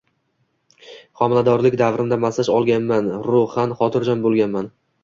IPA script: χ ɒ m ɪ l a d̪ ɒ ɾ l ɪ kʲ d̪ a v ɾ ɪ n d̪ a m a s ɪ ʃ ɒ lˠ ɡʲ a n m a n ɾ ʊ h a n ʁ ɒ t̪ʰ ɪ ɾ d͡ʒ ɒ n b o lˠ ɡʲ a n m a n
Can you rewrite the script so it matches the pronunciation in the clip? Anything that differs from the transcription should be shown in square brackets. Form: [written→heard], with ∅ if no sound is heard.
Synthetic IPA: χ ɒ m ɪ l a d̪ ɒ ɾ l ɪ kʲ d̪ a v ɾ ɪ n d̪ a m a s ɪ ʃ ɒ lˠ ɡʲ a n m a n ɾ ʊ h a n [ʁ→χ] ɒ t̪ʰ ɪ ɾ d͡ʒ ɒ n b o lˠ ɡʲ a n m a n